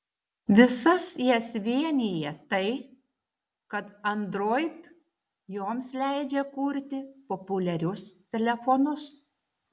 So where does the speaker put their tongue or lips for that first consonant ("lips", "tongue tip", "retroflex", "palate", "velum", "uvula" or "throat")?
lips